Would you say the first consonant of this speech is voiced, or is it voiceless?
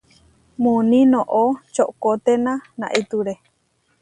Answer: voiced